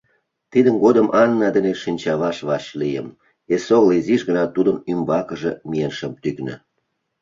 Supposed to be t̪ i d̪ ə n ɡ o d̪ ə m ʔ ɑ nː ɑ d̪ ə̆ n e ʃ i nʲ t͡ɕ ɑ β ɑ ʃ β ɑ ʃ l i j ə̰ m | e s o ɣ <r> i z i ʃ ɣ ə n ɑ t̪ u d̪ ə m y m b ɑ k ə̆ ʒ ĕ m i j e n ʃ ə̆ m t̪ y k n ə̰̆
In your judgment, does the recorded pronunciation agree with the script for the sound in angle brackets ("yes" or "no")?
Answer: no